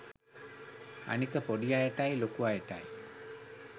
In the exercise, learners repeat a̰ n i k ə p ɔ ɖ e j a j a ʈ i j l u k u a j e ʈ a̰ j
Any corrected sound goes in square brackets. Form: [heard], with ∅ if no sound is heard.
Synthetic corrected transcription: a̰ n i k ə p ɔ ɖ [i] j a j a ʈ [a] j l [o] k u a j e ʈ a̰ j

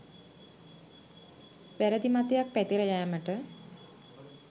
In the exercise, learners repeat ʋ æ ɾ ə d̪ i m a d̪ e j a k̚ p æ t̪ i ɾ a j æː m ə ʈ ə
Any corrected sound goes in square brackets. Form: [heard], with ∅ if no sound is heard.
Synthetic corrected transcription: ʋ æ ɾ ə d̪ i m a [t̪] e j a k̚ p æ t̪ i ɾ [ə] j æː m ə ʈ ə

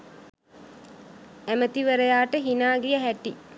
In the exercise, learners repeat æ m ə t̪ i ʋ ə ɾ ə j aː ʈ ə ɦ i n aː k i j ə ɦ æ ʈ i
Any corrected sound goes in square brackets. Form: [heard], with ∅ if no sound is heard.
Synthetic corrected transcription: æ m ə t̪ i ʋ ə ɾ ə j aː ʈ ə ɦ i n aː [ɡ] i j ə ɦ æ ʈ i

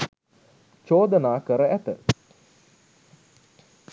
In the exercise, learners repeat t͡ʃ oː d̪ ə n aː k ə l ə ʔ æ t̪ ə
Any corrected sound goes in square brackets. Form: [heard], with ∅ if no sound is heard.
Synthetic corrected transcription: t͡ʃ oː d̪ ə n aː k ə [ɾ] ə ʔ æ t̪ ə

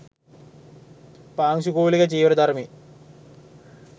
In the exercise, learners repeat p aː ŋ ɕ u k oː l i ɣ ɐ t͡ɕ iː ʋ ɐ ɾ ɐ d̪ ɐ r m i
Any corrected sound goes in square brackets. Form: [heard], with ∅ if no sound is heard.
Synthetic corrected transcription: p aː ŋ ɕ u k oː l i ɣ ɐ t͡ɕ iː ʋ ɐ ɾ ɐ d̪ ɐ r m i

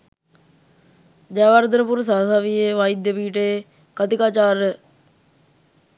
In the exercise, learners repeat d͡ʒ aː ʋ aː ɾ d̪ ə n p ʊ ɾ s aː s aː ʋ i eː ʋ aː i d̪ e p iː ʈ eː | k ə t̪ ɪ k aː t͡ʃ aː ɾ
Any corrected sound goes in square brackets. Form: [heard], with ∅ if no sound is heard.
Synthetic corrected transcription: d͡ʒ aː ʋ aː ɾ d̪ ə n p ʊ ɾ s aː s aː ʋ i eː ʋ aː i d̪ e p iː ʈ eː | k ə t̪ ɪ k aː t͡ʃ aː ɾ

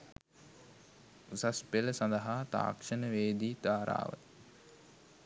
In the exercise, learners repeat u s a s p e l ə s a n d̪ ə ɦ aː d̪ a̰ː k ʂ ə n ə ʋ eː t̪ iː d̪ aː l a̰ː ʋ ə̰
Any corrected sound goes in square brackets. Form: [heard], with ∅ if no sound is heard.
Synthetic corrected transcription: u s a s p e l ə s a n d̪ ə ɦ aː [t̪] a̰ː k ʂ ə n ə ʋ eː [d̪] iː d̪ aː [ɾ] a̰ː ʋ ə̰

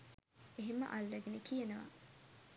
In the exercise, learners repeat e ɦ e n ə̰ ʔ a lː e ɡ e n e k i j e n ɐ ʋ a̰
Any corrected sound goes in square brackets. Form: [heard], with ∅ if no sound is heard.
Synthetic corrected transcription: e ɦ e [m] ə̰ ʔ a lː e ɡ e n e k i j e n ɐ ʋ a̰

